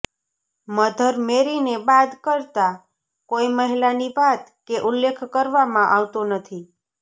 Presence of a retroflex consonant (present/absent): absent